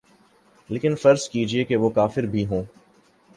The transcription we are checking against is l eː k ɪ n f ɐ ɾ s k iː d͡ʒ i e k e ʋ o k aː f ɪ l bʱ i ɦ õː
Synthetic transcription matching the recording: l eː k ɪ n f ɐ ɾ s k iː d͡ʒ i e k e ʋ o k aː f ɪ ɾ bʱ i ɦ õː